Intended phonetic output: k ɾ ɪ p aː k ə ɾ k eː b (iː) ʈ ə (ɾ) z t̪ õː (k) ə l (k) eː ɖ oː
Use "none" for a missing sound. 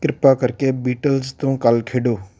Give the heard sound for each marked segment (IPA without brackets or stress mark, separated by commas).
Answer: iː, l, k, kʰ